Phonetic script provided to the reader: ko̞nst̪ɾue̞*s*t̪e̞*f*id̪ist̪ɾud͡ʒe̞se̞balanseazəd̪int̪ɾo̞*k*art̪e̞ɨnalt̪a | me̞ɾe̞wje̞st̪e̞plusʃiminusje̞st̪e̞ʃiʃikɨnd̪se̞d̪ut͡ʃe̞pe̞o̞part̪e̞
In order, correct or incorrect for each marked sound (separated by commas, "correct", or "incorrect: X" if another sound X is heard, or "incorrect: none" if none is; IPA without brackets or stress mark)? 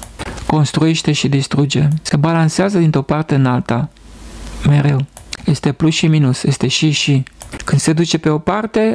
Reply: incorrect: ʃ, incorrect: ʃ, incorrect: p